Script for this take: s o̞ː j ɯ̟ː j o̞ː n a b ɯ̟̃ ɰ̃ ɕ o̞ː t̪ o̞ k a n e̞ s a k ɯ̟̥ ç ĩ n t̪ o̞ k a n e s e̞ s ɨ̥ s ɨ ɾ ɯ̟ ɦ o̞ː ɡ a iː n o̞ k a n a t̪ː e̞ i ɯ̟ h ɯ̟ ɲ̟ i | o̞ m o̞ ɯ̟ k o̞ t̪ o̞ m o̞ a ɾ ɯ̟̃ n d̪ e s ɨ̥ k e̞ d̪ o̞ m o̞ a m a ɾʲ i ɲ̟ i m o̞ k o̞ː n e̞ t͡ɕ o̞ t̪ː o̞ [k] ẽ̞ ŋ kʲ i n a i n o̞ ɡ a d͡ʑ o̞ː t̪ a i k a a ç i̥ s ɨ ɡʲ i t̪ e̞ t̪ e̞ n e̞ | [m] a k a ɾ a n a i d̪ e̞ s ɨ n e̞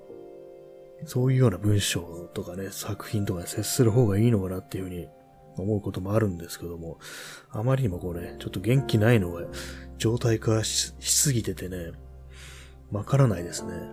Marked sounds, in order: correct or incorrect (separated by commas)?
incorrect, correct